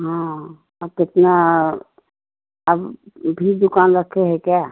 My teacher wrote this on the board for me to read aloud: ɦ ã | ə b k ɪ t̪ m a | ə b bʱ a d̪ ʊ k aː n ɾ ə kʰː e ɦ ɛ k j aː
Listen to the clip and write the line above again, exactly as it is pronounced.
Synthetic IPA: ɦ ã | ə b k ɪ t̪ n a | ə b bʱ i d̪ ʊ k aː n ɾ ə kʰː e ɦ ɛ k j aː

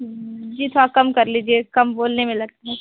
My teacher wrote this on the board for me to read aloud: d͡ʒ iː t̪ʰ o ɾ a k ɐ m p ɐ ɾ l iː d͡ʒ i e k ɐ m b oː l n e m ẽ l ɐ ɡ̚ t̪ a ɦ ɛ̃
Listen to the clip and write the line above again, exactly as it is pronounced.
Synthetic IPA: d͡ʒ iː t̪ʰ o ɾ a k ɐ m k ɐ ɾ l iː d͡ʒ i e k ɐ m b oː l n e m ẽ l ɐ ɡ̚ t̪ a ɦ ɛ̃

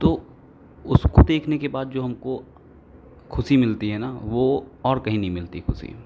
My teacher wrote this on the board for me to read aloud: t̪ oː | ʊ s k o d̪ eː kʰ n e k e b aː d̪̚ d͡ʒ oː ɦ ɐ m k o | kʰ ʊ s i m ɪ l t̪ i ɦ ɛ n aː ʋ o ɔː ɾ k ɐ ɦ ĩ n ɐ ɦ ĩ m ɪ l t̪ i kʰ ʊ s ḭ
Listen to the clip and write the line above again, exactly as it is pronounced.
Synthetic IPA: t̪ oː | ʊ s k o d̪ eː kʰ n e k e b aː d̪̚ d͡ʒ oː ɦ ɐ m k o | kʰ ʊ s i m ɪ l t̪ i ɦ ɛ n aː ʋ o ɔː ɾ k ɐ ɦ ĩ n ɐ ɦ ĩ m ɪ l t̪ i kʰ ʊ s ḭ

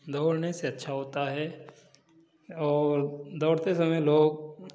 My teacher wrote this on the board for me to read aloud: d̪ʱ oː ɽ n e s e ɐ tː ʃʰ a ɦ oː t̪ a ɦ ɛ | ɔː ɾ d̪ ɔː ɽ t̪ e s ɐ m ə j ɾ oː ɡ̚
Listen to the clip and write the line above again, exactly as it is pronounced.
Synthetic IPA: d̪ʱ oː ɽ n e s e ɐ tː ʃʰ a ɦ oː t̪ a ɦ ɛ | ɔː ɾ d̪ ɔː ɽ t̪ e s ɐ m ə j l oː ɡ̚

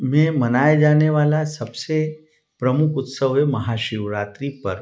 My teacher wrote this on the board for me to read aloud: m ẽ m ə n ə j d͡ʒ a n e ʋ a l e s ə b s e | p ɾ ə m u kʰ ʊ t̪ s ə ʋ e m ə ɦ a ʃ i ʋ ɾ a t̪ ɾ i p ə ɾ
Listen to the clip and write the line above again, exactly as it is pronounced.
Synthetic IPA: m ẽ m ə n a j d͡ʒ a n e ʋ a l a s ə b s e | p ɾ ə m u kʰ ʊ t̪ s ə ʋ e m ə ɦ a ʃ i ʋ ɾ a t̪ ɾ i p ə ɾ

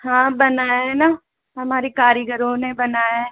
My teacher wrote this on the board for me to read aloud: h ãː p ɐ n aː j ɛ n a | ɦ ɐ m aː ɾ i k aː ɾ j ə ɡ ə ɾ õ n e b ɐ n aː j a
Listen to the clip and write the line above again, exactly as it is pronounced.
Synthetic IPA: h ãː b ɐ n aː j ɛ n a | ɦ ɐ m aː ɾ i k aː ɾ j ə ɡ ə ɾ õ n e b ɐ n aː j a

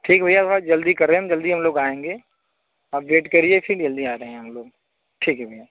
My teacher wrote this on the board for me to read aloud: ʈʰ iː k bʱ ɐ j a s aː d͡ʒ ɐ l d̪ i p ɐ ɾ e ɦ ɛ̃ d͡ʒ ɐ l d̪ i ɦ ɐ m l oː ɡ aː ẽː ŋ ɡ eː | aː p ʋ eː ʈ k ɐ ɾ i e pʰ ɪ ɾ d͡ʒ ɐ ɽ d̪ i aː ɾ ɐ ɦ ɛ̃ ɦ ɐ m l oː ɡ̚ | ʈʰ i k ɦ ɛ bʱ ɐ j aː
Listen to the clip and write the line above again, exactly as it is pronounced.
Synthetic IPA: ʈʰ iː k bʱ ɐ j a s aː d͡ʒ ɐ l d̪ i k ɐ ɾ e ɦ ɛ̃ d͡ʒ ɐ l d̪ i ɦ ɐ m l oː ɡ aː ẽː ŋ ɡ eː | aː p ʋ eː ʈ k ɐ ɾ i e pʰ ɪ ɾ d͡ʒ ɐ l d̪ i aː ɾ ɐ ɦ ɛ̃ ɦ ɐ m l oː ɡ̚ | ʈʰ iː k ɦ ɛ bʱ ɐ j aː

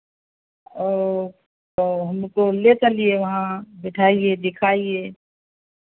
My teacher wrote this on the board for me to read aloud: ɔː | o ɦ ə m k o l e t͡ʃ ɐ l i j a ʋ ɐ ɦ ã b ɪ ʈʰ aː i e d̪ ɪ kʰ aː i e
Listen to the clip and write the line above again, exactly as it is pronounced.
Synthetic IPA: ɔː | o ɦ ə m k o l e t͡ʃ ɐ l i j e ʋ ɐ ɦ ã b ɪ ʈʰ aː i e d̪ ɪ kʰ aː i e

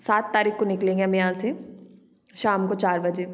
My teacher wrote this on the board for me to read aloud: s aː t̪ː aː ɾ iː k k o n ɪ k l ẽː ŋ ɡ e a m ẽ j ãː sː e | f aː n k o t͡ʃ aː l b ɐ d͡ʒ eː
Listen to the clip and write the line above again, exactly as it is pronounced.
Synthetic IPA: s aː t̪ː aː ɾ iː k k o n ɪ k l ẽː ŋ ɡ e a m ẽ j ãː s e | ʃ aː m k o t͡ʃ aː ɾ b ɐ d͡ʒ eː

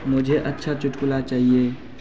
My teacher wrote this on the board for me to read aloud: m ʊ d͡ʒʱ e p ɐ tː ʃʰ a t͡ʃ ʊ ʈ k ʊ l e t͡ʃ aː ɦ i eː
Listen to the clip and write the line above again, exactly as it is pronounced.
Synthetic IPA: m ʊ d͡ʒʱ e ʔ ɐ tː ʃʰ a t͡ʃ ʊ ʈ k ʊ l a t͡ʃ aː ɦ i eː

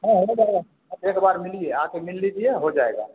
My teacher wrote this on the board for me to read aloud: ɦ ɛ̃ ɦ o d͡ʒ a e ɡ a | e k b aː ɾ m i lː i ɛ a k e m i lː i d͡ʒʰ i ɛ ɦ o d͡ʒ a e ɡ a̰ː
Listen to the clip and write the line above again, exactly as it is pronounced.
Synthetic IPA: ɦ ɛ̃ ɦ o d͡ʒ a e ɡ a | e k b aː ɾ m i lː i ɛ a k e m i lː i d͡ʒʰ i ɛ ɦ o d͡ʒ a e ɡ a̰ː

